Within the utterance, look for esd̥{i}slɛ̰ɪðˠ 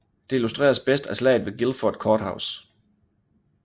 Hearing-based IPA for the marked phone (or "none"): æ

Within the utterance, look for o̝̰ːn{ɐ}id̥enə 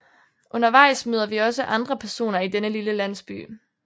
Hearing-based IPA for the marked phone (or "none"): ɐ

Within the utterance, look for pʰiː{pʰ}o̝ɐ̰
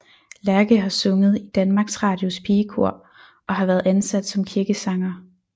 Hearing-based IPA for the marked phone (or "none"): kʰ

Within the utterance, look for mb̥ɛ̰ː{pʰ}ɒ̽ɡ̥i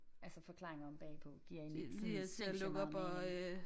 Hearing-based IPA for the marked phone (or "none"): pʰ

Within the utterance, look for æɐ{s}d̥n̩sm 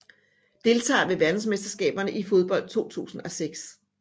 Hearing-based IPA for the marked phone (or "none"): none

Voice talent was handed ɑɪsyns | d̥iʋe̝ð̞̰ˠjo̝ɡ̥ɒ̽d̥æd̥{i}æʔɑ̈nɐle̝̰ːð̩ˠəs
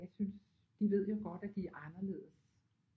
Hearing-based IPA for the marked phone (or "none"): i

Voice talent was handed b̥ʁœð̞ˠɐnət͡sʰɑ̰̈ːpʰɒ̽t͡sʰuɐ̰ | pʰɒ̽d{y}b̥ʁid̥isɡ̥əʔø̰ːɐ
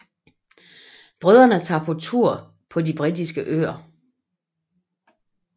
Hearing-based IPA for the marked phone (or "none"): i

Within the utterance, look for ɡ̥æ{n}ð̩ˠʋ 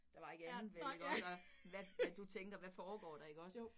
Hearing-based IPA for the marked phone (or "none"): n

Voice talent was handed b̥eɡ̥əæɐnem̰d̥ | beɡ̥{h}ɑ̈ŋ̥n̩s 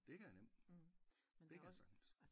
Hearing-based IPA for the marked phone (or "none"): s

